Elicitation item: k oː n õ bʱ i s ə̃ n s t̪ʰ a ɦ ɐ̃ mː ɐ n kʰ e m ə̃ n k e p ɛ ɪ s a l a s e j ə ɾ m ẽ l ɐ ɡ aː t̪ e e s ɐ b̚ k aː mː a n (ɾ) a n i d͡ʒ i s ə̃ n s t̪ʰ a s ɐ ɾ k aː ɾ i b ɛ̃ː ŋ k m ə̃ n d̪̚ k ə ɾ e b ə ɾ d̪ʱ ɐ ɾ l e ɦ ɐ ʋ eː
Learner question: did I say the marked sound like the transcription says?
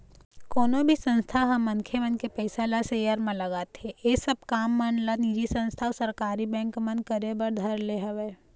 no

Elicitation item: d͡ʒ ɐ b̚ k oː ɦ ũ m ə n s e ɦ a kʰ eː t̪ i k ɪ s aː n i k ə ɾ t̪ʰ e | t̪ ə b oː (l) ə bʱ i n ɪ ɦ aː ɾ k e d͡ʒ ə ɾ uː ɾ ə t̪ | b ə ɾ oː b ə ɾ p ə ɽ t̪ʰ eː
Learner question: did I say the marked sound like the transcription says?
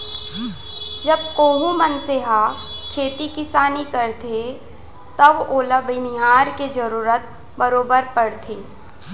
yes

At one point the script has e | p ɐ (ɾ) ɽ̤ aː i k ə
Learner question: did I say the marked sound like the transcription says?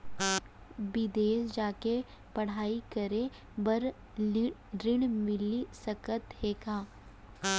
no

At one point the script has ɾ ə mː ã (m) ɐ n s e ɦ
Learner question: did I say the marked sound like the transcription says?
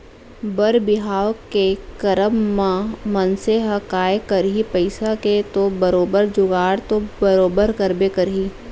yes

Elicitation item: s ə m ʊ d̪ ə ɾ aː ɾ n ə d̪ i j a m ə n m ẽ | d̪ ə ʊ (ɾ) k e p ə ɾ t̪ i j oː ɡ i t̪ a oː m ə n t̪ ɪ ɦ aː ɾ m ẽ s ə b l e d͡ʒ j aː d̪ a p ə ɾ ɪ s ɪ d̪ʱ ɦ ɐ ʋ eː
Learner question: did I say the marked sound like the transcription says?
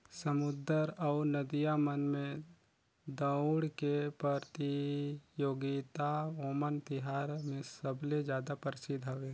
no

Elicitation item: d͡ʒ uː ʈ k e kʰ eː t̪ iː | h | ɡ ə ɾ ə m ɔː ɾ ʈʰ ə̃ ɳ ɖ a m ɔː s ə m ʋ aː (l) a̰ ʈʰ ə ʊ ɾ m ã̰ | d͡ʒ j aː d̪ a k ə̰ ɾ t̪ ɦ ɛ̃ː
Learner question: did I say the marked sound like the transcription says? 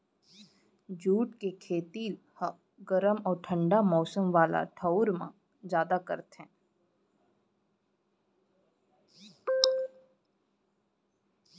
yes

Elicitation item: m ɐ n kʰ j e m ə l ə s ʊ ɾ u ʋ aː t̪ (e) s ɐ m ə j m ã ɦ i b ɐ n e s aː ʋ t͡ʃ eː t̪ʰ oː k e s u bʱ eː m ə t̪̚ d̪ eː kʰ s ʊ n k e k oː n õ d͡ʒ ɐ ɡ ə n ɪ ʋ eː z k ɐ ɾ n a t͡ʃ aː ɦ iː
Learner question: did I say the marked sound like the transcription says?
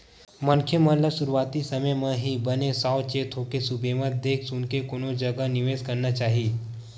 no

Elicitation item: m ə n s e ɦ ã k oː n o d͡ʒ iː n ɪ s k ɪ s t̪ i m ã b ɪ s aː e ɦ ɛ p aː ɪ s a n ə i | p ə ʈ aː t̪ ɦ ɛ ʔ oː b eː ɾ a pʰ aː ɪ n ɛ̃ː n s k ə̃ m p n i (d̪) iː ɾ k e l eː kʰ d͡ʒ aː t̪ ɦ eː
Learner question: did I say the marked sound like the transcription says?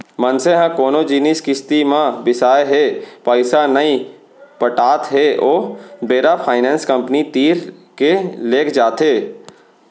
no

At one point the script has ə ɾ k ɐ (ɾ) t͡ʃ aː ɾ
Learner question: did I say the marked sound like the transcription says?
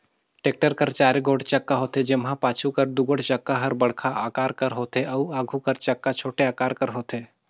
yes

